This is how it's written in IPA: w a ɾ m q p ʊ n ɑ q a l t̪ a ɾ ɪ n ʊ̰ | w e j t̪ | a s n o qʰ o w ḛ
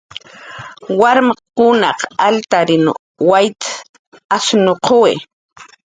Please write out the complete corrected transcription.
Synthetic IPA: w a ɾ m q k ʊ n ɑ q a l t̪ a ɾ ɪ n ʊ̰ | w a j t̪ | a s n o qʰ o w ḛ